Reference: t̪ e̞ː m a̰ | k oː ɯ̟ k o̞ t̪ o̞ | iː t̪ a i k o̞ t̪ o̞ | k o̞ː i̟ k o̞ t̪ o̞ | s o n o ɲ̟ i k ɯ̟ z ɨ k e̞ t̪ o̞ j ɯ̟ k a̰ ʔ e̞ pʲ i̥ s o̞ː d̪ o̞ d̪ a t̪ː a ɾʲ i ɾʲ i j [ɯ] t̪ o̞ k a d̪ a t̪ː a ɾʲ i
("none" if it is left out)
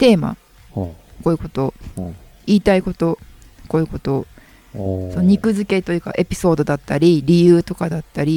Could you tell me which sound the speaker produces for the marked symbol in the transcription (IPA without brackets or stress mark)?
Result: ɯː